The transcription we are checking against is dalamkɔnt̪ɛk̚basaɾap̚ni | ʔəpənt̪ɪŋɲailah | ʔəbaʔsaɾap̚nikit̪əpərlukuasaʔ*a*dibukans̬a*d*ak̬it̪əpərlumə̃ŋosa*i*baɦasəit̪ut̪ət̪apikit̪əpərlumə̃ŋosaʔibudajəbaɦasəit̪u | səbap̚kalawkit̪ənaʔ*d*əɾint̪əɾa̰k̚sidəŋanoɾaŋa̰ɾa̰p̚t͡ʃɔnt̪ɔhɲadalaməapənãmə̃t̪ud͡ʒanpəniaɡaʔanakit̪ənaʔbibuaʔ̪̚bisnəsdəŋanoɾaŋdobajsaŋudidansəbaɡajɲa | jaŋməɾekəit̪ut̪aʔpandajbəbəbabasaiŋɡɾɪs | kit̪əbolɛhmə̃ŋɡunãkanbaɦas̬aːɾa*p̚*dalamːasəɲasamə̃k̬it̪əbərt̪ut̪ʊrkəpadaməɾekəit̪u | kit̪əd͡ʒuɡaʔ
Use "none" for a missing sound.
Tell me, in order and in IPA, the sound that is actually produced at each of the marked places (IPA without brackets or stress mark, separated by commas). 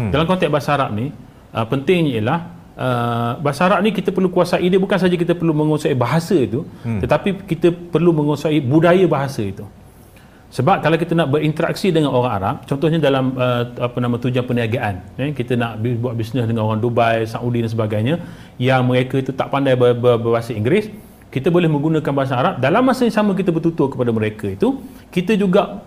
i, d͡ʒ, i, b, p̚